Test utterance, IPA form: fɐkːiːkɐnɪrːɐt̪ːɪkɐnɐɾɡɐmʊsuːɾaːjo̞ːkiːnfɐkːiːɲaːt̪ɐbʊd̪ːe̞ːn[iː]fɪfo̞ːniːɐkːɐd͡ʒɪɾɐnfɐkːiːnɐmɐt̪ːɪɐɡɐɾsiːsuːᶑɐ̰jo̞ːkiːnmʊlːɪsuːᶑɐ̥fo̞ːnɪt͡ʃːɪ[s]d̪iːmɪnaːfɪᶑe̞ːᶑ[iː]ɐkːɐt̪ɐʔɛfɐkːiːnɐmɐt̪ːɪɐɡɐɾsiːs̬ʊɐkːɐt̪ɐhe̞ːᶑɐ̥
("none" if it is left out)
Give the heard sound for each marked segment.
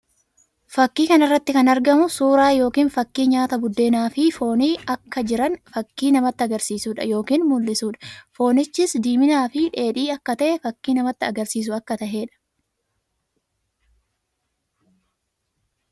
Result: aː, s, iː

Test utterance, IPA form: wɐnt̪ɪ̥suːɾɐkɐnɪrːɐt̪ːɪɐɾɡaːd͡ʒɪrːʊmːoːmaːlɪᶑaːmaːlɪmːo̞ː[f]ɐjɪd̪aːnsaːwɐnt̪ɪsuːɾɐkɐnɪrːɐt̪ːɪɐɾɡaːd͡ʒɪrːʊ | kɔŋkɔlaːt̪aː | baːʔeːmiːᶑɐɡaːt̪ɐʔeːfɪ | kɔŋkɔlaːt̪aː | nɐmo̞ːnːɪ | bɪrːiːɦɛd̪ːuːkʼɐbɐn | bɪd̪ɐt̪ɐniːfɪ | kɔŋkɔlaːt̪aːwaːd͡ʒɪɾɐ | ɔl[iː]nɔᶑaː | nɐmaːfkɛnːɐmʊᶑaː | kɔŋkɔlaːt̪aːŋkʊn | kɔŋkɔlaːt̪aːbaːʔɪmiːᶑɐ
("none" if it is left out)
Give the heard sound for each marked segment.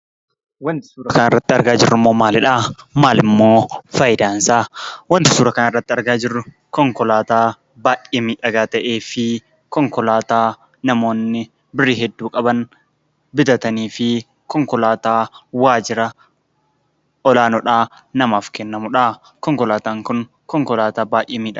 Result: f, aː

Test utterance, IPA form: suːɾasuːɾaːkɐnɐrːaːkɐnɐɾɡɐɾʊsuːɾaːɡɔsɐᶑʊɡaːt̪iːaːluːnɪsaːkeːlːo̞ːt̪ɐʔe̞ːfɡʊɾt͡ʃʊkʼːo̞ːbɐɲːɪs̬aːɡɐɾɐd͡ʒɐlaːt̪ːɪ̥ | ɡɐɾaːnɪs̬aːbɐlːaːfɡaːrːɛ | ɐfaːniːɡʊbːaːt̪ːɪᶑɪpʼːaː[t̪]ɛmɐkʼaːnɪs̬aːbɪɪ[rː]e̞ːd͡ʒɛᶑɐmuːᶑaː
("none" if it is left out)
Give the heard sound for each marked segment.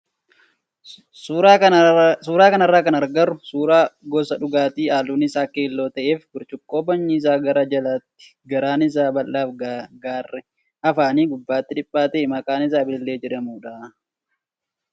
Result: t̪, lː

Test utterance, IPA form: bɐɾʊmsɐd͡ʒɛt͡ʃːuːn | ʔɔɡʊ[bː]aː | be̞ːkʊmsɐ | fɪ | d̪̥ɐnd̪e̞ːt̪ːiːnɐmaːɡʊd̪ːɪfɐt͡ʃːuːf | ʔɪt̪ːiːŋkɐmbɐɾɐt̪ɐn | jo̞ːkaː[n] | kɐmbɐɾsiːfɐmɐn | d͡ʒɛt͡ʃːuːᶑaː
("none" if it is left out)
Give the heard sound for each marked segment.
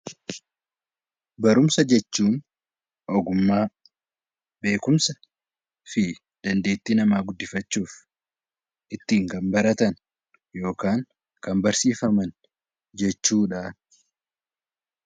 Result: mː, ŋ

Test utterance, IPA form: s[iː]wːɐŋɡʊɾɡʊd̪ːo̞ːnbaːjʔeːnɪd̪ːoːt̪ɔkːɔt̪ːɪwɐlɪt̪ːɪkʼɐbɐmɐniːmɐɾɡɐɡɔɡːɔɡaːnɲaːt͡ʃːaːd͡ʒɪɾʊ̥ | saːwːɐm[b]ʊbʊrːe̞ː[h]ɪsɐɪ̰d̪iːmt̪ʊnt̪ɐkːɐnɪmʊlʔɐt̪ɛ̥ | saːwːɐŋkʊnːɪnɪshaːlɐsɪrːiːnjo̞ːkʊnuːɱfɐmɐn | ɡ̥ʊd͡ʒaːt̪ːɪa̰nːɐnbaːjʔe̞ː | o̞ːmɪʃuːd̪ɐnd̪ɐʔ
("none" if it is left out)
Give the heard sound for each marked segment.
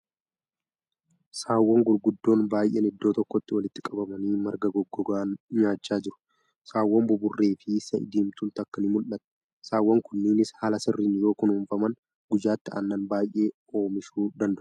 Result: aː, b, f

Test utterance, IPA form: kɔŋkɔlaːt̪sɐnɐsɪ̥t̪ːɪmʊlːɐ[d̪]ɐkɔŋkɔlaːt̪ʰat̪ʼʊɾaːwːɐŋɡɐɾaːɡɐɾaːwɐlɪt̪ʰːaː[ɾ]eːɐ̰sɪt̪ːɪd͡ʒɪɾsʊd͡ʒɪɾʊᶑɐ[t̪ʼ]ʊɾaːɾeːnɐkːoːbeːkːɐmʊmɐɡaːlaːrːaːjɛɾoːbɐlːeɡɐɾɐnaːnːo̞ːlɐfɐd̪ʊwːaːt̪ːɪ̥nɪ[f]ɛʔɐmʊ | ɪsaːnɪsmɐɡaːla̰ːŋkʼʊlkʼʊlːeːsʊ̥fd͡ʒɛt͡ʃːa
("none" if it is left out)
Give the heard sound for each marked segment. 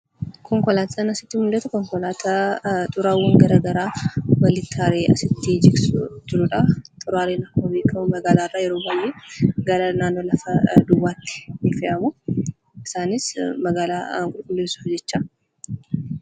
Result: t̪, ɾ, t̪ʼ, f

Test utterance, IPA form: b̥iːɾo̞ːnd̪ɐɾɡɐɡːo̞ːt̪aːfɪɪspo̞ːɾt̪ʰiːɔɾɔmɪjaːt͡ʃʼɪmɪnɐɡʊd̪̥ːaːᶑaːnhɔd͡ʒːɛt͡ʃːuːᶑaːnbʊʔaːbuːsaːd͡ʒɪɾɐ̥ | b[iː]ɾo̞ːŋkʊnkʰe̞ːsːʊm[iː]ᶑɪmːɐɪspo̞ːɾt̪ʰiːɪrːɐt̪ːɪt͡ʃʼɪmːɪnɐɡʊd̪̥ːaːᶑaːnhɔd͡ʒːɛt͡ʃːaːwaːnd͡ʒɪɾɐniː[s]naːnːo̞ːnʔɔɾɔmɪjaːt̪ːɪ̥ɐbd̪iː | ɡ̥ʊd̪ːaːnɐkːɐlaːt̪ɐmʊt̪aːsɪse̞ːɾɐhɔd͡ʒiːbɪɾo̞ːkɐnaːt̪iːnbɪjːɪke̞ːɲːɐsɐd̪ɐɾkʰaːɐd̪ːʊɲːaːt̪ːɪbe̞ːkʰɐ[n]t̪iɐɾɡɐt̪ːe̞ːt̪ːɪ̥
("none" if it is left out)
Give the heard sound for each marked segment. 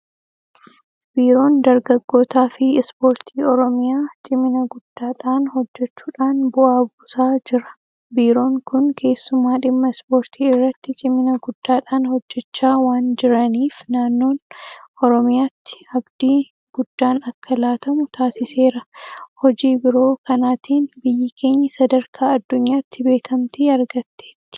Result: iː, aː, f, m

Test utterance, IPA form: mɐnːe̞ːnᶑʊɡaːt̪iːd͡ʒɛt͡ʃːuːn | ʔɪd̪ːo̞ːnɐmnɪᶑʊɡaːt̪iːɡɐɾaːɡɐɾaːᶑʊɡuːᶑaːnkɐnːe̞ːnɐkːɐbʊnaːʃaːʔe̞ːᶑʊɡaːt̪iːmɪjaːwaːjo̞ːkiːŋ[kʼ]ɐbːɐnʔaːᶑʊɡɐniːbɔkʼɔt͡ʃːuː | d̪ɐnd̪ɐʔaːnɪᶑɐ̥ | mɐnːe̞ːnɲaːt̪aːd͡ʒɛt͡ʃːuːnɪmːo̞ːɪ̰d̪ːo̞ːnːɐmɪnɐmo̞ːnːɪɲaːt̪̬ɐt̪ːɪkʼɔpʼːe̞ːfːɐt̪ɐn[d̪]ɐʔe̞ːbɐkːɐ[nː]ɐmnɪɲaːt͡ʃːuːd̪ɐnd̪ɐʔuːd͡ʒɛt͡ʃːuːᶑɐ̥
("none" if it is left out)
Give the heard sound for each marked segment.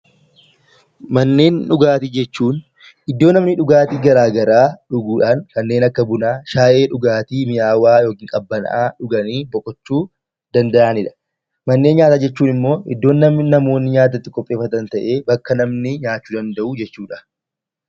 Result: kʼ, t̪, n

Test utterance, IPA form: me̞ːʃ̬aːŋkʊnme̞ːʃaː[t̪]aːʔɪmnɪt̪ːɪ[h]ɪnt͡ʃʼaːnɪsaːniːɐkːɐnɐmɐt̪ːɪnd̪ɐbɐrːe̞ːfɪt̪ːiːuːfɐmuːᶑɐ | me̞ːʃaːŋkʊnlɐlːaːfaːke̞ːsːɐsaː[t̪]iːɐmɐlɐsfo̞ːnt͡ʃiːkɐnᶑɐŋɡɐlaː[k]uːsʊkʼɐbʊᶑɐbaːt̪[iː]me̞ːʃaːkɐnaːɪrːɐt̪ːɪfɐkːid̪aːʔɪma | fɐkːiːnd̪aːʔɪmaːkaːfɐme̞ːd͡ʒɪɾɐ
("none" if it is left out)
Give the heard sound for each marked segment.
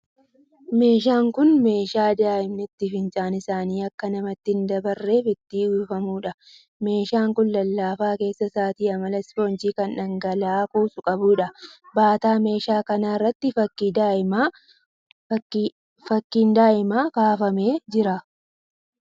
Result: d̪, f, t̪, k, aː

